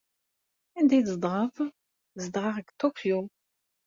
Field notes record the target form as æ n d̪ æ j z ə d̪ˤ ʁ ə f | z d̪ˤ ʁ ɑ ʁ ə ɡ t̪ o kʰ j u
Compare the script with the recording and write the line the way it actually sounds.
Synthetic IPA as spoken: æ n d̪ æ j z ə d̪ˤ ʁ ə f | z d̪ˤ ʁ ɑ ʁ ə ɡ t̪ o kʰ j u

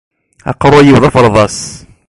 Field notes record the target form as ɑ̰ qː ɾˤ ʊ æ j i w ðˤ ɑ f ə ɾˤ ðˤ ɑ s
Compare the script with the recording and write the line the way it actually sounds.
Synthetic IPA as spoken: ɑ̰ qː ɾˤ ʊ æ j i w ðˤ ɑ f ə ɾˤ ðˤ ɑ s

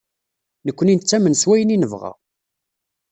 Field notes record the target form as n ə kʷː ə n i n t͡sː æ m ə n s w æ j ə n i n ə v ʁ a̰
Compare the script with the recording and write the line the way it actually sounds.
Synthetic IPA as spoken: n ə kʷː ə n i n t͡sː æ m ə n s w æ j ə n i n ə v ʁ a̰

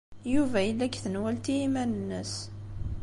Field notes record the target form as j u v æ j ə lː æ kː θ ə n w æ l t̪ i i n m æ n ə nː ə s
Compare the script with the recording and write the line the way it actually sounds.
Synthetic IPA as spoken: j u v æ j ə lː æ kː θ ə n w æ l t̪ i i m æ n ə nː ə s

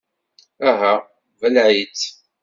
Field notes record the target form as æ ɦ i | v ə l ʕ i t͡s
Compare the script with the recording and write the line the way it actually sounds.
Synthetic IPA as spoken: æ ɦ æ | v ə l ʕ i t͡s

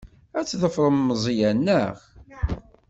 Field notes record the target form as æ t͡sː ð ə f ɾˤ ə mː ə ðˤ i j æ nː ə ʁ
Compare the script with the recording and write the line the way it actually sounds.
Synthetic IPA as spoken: æ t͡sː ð ə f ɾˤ ə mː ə zˤ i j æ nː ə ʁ

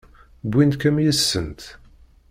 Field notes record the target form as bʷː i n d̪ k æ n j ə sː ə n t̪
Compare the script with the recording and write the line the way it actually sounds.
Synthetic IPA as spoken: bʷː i n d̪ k æ m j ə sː ə n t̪

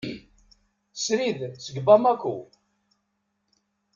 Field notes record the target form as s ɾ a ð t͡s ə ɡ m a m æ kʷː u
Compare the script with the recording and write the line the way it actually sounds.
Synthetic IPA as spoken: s ɾ i ð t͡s ə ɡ b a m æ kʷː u

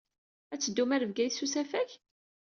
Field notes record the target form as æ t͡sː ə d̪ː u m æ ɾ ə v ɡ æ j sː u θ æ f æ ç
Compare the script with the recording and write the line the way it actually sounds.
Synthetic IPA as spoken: æ t͡sː ə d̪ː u m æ ɾ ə v ɡ æ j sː u s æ f æ ç

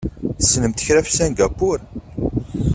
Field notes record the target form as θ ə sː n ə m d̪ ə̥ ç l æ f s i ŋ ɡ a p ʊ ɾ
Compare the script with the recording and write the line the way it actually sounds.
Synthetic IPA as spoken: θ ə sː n ə m t̪ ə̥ ç ɾ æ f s æ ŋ ɡ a p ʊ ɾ

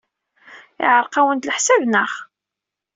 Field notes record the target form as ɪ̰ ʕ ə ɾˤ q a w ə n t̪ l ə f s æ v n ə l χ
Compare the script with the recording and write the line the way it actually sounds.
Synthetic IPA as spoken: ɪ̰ ʕ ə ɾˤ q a w ə n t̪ l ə ħ s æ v n ə χ

